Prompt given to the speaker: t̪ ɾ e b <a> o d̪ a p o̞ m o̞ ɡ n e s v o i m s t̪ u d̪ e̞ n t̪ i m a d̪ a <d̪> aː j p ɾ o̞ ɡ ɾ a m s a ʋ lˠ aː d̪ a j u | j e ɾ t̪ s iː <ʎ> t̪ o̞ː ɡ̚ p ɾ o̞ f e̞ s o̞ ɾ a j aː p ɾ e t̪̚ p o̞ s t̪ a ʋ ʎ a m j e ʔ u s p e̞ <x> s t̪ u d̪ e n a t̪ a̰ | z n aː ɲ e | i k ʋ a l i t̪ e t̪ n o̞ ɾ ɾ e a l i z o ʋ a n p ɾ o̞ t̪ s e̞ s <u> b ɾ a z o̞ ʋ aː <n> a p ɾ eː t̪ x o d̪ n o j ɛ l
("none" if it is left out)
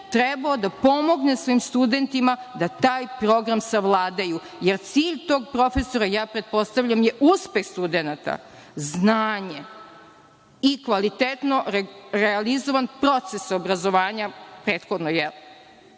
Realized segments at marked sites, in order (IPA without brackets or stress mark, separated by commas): a, t̪, ʎ, x, o, ɲ